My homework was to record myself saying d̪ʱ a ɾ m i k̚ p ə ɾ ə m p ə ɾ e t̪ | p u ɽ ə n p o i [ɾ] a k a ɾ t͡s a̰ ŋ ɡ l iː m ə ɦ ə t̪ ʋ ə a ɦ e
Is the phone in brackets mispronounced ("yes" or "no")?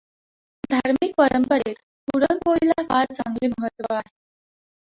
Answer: yes